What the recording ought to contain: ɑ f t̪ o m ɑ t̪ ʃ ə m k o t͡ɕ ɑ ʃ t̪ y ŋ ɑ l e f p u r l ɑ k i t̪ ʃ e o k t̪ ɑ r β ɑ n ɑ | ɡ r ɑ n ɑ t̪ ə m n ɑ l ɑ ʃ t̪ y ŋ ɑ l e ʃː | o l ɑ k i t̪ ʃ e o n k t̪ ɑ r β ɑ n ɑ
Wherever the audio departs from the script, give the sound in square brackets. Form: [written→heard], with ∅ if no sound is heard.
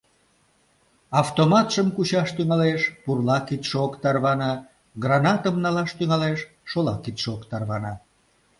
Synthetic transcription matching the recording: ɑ f t̪ o m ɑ t̪ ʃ ə m k [o→u] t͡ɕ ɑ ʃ t̪ y ŋ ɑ l e [f→ʃ] p u r l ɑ k i t̪ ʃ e o k t̪ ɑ r β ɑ n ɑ | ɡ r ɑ n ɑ t̪ ə m n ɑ l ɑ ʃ t̪ y ŋ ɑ l e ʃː | o l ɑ k i t̪ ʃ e o [n→∅] k t̪ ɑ r β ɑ n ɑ